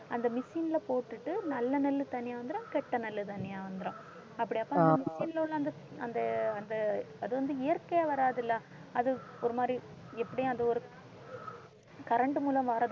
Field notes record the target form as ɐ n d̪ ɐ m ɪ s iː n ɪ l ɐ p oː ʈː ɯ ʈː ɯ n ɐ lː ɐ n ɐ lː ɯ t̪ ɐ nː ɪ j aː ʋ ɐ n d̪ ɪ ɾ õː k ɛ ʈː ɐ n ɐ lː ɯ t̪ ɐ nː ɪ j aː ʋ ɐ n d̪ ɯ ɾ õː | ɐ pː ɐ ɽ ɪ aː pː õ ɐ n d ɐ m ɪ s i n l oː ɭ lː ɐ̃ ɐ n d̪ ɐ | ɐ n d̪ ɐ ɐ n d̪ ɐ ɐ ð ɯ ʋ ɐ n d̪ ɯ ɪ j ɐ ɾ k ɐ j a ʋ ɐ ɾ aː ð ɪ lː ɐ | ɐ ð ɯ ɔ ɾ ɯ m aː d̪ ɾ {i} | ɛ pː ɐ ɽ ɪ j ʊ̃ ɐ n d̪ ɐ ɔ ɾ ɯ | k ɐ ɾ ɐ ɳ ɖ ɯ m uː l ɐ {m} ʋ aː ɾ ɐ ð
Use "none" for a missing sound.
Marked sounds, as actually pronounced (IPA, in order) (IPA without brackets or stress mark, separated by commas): i, m